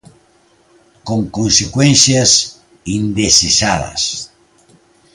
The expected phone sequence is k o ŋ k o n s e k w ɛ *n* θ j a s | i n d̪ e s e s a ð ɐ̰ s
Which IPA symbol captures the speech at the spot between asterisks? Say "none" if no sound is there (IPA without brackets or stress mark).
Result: n